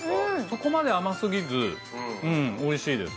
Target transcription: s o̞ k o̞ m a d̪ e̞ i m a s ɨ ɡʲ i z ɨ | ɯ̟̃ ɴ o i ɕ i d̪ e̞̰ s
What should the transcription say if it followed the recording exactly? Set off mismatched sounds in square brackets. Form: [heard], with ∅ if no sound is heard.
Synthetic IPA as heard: s o̞ k o̞ m a d̪ e̞ [a] m a s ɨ ɡʲ i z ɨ | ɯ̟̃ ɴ o i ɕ [iː] d̪ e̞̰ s